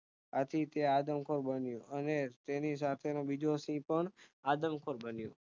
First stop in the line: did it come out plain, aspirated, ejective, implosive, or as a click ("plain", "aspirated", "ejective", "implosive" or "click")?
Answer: aspirated